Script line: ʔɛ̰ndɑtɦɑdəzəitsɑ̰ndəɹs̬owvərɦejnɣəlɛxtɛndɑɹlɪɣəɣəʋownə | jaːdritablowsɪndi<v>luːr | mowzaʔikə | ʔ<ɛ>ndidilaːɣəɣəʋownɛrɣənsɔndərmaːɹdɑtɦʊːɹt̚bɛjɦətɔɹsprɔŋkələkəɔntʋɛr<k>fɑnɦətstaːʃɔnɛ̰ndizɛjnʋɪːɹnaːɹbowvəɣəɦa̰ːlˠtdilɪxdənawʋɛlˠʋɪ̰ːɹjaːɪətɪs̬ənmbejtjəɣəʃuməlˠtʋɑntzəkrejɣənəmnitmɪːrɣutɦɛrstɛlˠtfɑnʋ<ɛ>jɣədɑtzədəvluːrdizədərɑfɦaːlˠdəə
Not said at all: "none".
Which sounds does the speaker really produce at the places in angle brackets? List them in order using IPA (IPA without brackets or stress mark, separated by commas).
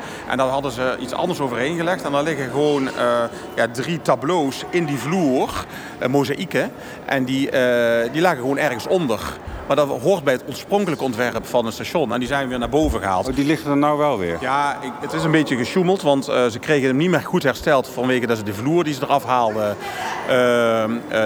v, ɛ, p, e